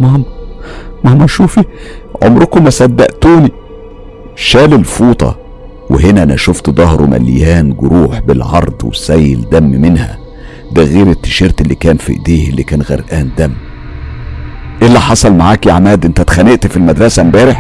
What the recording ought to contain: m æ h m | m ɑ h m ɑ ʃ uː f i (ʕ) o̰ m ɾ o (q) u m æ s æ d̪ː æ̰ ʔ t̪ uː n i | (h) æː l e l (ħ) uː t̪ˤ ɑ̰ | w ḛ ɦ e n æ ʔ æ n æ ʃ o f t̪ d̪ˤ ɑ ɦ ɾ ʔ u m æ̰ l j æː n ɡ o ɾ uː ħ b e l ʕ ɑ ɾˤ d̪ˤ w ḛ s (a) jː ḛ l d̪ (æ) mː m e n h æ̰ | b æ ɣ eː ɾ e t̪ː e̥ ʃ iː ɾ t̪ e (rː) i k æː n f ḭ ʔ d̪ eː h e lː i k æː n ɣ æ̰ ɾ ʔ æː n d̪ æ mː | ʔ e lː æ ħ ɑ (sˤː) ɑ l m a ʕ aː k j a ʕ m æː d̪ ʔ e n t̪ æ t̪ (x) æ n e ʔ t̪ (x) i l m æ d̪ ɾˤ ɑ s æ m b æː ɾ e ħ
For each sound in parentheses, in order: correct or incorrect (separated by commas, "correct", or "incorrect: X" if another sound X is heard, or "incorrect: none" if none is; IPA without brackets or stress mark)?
correct, incorrect: k, incorrect: ʃ, incorrect: f, incorrect: æ, correct, incorrect: lː, incorrect: sˤ, correct, incorrect: f